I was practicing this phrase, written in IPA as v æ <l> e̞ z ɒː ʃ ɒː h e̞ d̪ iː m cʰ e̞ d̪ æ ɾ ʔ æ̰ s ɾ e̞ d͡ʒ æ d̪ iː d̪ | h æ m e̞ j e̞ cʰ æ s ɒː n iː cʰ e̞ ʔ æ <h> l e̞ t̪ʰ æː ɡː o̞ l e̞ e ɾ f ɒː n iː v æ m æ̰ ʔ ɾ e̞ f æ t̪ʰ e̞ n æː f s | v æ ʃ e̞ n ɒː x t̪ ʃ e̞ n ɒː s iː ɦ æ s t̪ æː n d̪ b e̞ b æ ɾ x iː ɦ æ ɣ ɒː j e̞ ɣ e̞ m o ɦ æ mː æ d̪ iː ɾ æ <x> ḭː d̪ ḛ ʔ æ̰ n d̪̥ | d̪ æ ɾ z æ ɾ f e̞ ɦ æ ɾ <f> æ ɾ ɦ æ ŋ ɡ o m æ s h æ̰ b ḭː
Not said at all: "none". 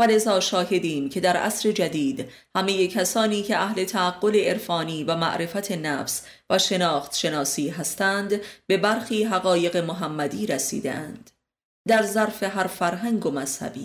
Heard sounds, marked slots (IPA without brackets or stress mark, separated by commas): l, h, s, f